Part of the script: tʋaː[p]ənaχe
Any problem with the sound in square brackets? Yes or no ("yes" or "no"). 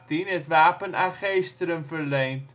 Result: no